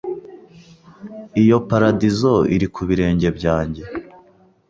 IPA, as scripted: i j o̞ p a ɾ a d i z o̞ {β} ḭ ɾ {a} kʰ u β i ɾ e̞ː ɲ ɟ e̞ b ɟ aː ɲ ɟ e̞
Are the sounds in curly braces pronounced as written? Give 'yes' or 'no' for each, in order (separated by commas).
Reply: no, no